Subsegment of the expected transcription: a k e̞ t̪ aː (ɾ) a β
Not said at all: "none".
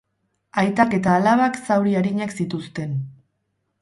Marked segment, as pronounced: l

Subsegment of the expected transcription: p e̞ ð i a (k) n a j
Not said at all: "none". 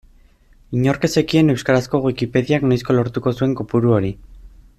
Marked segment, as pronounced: k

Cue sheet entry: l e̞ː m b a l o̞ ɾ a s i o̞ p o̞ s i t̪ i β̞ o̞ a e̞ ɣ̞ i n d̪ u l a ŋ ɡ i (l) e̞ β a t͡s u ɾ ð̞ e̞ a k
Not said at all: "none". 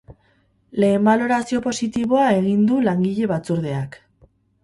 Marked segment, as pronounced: ʎ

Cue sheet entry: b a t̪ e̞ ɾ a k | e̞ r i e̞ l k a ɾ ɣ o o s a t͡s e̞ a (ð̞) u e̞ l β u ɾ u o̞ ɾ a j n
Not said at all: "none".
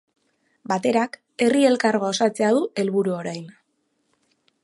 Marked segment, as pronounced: ð̞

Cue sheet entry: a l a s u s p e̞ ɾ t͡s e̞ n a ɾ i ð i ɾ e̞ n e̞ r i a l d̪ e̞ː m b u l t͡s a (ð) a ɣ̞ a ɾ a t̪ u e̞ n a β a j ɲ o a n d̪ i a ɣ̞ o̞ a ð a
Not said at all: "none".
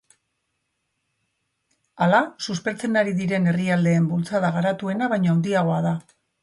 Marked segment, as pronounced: ð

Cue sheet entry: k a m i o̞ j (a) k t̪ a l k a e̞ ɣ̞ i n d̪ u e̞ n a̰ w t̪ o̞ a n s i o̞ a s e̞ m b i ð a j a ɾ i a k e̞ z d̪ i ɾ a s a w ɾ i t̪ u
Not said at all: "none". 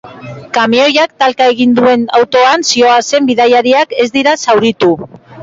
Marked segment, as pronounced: a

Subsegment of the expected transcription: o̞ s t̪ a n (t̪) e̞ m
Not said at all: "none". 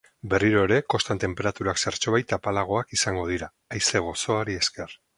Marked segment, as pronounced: t̪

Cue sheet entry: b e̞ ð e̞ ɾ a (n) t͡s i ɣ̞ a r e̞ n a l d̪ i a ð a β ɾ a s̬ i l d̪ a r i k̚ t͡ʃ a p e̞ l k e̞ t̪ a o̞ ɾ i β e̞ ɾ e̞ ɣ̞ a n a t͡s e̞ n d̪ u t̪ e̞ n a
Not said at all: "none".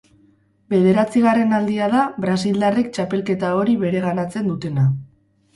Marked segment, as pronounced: none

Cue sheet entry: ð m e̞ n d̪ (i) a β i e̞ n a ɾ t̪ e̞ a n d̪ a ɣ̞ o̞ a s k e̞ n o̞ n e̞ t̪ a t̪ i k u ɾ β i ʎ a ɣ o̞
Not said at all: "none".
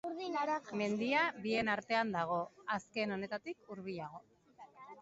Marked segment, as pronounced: i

